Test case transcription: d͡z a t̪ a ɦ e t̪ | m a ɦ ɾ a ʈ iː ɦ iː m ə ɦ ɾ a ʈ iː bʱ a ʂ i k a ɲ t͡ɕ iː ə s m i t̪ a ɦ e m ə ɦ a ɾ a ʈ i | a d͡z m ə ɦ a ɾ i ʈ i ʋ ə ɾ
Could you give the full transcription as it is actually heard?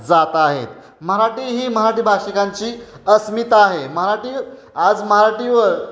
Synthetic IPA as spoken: d͡z a t̪ a ɦ e t̪ | m ə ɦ ɾ a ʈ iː ɦ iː m ə ɦ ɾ a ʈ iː bʱ a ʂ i k a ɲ t͡ɕ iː ə s m i t̪ a ɦ e m ə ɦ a ɾ a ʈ i | a d͡z m ə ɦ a ɾ a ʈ i ʋ ə ɾ

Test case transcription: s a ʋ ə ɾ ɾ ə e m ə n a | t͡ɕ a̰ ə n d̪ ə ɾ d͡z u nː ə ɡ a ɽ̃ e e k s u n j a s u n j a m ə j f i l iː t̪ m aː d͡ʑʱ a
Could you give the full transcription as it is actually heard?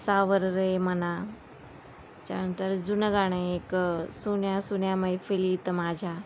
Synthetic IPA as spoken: s a ʋ ə ɾ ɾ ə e m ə n a | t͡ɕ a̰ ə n t̪ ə ɾ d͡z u n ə ɡ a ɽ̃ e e k s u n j a s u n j a m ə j f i l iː t̪ m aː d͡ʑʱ a

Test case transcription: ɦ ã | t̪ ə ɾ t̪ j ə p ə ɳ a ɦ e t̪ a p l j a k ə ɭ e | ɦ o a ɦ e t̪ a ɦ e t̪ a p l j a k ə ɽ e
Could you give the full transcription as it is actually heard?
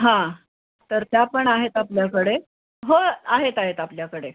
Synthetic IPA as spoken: ɦ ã | t̪ ə ɾ t̪ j a p ə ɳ a ɦ e t̪ a p l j a k ə ɽ e | ɦ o a ɦ e t̪ a ɦ e t̪ a p l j a k ə ɽ e

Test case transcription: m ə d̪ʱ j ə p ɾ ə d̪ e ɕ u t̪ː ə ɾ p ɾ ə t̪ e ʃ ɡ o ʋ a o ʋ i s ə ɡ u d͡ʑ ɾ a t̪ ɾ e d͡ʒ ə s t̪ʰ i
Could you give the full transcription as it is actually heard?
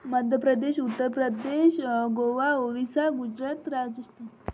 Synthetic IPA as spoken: m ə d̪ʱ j ə p ɾ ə d̪ e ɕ u t̪ː ə ɾ p ɾ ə d̪ e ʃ ɡ o ʋ a o ʋ i s a ɡ u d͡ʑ ɾ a t̪ ɾ a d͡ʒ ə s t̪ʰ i

